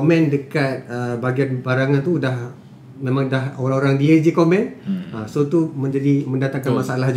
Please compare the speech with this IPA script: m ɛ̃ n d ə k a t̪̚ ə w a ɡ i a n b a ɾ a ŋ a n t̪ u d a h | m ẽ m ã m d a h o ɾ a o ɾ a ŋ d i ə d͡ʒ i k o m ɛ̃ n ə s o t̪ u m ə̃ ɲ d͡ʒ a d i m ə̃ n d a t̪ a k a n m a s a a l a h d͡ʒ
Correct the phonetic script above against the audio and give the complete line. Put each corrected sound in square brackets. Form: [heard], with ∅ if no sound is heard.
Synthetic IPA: m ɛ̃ n d ə k a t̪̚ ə [b] a ɡ i a n b a ɾ a ŋ a n t̪ u d a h | m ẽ m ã [ŋ] d a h o ɾ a o ɾ a ŋ d i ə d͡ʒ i k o m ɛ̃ n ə s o t̪ u m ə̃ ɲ d͡ʒ a d i m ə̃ n d a t̪ a k a n m a s a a l a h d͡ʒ